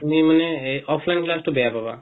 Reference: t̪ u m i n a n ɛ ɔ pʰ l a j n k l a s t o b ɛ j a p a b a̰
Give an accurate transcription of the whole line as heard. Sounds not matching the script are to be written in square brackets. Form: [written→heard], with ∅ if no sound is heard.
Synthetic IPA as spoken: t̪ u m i [n→m] a n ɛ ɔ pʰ l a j n k l a s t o b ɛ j a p a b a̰